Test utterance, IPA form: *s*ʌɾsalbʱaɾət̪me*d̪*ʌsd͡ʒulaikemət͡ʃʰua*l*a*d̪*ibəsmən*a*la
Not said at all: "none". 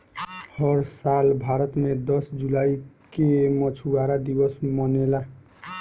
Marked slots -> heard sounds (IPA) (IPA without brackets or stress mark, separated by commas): h, d̪, ɾ, d̪, e